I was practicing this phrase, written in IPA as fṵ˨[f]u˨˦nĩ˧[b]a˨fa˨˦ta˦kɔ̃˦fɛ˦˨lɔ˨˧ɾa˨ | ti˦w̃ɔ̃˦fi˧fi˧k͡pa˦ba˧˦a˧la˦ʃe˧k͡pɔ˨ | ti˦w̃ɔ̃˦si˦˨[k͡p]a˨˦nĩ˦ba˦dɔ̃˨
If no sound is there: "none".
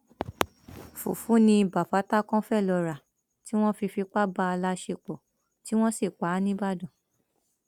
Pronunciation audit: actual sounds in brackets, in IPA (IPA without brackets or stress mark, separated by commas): f, b, k͡p